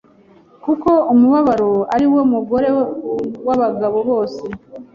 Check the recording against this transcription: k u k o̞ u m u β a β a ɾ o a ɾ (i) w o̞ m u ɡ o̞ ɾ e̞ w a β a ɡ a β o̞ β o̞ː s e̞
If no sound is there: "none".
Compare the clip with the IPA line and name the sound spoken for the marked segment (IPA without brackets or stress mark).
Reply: i